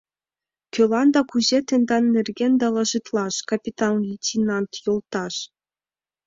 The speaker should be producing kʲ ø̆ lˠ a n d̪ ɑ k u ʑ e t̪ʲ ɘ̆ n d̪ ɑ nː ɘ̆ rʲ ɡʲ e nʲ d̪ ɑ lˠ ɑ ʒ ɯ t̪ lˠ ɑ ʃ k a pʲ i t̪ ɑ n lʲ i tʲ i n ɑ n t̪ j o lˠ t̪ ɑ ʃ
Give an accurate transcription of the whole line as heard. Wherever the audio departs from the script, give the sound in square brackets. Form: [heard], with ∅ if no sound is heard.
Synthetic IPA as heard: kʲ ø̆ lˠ [ɑ] n d̪ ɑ k u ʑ e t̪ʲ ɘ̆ n d̪ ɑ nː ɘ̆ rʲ ɡʲ e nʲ d̪ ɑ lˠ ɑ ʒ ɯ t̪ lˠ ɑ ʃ k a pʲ i t̪ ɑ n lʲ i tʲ i n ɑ n t̪ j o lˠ t̪ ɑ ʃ